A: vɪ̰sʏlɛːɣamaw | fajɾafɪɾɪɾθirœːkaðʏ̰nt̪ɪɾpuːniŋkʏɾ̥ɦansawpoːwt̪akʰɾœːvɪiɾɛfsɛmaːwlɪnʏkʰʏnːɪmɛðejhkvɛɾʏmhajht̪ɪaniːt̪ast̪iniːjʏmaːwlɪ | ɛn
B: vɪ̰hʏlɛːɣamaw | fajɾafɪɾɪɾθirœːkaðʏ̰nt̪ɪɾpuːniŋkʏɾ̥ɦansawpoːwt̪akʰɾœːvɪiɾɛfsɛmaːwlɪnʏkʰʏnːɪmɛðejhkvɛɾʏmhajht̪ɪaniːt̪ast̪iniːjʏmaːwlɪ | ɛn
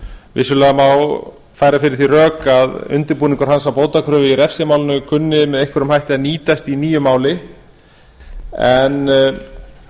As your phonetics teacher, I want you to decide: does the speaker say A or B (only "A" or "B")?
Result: A